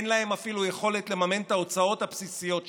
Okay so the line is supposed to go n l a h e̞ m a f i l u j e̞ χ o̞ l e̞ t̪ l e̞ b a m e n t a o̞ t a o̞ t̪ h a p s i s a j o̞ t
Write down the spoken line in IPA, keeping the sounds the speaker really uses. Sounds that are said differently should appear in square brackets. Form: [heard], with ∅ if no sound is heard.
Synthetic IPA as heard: n l a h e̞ m a f i l u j e̞ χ o̞ l e̞ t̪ l e̞ [m] a m e n t a o̞ [t͡s] a o̞ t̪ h a p s i s [i] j o̞ t